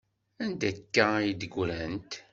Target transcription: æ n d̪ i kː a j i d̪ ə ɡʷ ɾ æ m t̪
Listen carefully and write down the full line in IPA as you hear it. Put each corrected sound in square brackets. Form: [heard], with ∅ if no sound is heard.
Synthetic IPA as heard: æ n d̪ [æ] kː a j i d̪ ə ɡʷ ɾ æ [n] t̪